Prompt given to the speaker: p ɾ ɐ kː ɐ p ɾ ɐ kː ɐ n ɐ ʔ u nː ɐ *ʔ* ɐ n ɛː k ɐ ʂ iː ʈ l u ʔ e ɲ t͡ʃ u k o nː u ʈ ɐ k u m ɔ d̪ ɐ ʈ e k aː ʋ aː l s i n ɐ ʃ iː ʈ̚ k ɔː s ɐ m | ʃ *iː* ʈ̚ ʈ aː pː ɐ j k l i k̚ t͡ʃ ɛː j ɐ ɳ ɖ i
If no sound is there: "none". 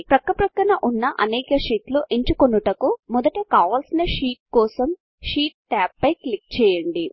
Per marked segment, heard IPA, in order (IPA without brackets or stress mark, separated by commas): ʔ, iː